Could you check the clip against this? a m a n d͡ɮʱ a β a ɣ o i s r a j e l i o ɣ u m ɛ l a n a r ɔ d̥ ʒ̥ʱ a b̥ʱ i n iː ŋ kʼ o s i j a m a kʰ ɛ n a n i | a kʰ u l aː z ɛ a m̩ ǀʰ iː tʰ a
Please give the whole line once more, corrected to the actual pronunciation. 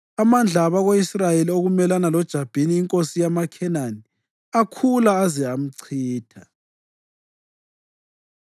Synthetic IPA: a m a n d͡ɮʱ a β a ɣ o i s r a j e l i o ɣ u m ɛ l a n a l ɔ d̥ ʒ̥ʱ a b̥ʱ i n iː ŋ kʼ o s i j a m a kʰ ɛ n a n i | a kʰ u l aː z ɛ a m̩ ǀʰ iː tʰ a